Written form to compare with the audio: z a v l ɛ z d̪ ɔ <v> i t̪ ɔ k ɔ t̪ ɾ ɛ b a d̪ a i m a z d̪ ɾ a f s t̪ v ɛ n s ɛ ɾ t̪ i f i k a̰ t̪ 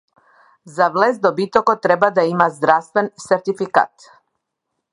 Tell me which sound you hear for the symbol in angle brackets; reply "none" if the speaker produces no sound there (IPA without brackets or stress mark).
b